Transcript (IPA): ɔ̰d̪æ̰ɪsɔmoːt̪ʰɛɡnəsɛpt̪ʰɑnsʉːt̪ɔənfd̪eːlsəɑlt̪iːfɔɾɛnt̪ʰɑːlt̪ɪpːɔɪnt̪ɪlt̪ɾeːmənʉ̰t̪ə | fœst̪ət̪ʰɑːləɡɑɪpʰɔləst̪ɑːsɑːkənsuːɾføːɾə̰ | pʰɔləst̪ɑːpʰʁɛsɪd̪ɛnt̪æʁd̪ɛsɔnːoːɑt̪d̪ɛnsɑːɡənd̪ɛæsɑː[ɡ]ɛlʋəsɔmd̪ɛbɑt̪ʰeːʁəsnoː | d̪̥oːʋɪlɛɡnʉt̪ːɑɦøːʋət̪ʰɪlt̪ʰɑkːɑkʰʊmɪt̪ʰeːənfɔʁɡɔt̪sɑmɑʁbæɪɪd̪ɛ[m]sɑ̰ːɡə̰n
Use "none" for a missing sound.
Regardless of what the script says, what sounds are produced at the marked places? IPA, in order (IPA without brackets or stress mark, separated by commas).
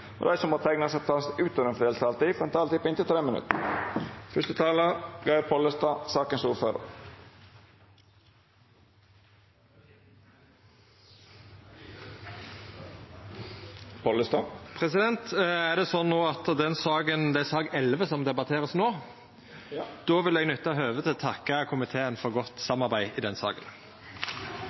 ɡ, n